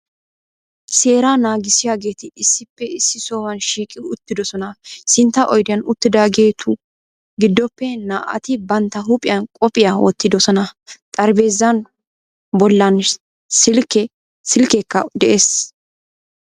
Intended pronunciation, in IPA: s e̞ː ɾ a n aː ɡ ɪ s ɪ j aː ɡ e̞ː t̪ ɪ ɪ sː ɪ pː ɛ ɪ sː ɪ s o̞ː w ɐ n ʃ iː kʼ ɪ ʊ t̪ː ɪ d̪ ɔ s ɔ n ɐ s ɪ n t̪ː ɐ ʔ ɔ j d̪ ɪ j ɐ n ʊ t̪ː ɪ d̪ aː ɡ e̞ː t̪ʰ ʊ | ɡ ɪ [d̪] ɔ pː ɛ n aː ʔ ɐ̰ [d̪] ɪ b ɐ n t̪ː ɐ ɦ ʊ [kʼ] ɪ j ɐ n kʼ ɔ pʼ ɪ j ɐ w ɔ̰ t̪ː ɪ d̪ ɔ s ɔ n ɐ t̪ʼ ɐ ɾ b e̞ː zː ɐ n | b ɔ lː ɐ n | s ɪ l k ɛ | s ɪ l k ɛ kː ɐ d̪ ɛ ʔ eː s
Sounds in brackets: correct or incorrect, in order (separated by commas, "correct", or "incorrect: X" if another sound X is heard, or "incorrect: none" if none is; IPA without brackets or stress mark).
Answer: incorrect: d̪ː, incorrect: t̪, incorrect: pʼ